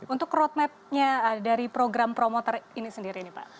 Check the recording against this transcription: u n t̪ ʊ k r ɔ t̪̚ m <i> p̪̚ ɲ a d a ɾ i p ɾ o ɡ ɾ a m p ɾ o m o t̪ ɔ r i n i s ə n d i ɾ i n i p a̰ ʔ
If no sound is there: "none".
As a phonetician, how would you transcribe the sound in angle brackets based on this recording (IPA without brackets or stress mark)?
ɛ